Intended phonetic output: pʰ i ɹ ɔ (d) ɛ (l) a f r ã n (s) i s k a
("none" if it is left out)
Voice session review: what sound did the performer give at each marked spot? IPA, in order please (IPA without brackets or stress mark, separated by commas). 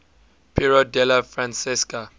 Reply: d, l, s